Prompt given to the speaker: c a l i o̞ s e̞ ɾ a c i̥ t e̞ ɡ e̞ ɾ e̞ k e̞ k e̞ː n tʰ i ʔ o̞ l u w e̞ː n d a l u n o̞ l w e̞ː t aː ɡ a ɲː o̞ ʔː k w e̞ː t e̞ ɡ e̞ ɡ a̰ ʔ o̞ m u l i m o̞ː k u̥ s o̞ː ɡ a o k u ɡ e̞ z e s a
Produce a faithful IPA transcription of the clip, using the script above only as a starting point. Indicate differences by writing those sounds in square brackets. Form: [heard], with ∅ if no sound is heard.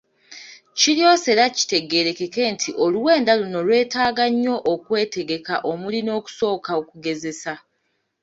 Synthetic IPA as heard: c [i] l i o̞ s e̞ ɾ a c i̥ t e̞ ɡ e̞ ɾ e̞ k e̞ k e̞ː n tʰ i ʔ o̞ l u w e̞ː n d a l u n o̞ l w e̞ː t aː ɡ a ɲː o̞ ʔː k w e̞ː t e̞ ɡ e̞ [k] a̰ ʔ o̞ m u l i [n] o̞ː k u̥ s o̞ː [k] a o k u ɡ e̞ z e s a